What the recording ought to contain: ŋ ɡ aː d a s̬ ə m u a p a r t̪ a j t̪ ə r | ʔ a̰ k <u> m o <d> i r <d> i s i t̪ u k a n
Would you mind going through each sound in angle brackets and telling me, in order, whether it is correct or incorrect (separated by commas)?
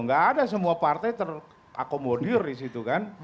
incorrect, correct, correct